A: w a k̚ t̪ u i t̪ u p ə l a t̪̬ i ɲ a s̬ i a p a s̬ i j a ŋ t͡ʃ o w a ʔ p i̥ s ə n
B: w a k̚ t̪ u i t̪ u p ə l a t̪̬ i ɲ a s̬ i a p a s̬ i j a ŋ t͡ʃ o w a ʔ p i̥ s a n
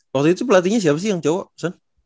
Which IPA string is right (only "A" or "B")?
B